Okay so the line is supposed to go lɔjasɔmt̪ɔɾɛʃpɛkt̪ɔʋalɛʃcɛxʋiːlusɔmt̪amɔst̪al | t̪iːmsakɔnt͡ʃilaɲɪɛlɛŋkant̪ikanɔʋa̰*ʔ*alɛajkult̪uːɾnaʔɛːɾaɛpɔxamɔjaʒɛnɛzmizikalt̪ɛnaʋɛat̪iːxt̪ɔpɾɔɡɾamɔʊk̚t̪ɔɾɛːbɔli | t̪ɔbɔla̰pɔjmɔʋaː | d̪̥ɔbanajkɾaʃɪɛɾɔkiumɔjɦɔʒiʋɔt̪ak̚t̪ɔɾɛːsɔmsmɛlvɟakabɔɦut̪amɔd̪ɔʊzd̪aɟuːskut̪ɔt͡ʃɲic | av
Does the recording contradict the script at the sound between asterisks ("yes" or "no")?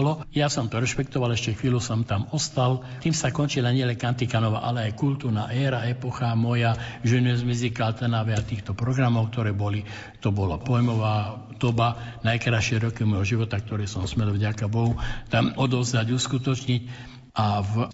no